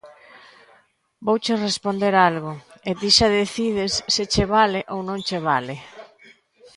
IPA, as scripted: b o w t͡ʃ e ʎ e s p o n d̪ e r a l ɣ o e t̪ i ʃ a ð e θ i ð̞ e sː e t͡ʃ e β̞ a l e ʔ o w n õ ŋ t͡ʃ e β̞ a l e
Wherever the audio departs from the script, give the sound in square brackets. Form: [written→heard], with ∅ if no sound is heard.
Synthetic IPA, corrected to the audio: b o w t͡ʃ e [ʎ→r] e s p o n d̪ e [r→ɾ] a l ɣ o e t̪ i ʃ a ð e θ i ð̞ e sː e t͡ʃ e β̞ a l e ʔ o w n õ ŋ t͡ʃ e β̞ a l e